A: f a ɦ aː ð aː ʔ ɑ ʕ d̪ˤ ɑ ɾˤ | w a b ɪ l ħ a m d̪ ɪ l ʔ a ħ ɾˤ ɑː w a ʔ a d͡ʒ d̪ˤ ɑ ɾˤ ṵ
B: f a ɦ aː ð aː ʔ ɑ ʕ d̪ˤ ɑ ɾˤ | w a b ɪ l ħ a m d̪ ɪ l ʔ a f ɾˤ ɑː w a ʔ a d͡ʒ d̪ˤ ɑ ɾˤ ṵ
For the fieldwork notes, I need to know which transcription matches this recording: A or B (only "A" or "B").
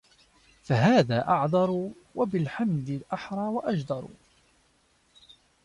A